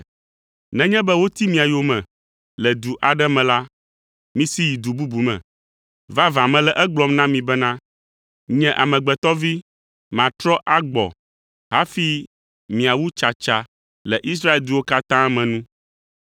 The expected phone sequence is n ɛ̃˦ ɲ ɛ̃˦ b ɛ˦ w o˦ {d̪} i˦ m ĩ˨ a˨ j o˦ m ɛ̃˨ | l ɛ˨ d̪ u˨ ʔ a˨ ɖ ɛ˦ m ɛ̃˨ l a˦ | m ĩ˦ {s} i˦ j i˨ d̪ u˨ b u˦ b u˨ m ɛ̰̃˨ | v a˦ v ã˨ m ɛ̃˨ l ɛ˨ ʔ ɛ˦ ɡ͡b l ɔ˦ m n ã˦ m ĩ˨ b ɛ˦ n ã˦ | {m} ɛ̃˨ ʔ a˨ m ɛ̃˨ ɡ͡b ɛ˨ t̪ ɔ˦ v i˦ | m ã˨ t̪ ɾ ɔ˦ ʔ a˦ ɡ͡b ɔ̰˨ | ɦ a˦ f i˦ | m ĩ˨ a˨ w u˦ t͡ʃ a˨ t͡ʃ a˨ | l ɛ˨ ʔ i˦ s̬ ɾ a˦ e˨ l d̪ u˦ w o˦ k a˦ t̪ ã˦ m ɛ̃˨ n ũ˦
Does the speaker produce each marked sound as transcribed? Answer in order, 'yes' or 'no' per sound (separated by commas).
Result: no, yes, no